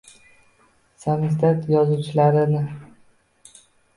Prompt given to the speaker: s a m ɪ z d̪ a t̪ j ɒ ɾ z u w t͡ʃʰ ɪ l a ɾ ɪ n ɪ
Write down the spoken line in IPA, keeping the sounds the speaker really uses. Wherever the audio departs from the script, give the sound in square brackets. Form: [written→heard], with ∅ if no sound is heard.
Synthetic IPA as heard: s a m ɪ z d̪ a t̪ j ɒ [ɾ→∅] z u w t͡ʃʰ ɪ l a ɾ ɪ n ɪ